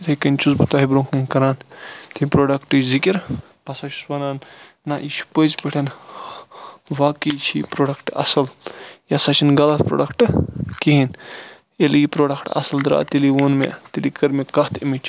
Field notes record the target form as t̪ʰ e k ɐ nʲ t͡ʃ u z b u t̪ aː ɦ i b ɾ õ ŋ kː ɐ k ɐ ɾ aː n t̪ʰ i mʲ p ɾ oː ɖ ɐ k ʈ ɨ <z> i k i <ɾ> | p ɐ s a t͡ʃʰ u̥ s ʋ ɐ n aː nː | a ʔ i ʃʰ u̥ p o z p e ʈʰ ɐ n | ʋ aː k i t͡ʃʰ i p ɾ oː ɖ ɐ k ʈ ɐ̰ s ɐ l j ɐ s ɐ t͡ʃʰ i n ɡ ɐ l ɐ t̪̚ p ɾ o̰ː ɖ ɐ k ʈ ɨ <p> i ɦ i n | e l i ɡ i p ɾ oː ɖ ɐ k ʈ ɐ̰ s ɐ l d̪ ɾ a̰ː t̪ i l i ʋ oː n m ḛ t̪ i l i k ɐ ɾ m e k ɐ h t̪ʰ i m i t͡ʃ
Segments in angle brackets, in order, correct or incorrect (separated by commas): correct, correct, incorrect